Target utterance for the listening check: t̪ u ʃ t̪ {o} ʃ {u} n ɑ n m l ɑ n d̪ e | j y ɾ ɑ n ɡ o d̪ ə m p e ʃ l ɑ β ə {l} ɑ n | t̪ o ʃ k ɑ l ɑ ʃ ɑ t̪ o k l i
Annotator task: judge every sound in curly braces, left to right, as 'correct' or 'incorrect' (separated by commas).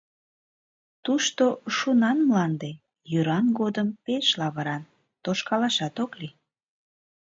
correct, correct, incorrect